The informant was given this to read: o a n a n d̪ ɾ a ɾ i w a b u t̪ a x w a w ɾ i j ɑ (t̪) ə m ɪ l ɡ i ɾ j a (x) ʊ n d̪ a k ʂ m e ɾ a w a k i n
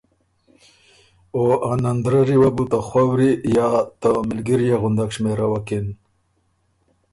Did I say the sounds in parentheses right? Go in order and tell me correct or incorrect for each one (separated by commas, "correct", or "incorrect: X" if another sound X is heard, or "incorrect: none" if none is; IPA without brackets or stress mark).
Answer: correct, incorrect: ɣ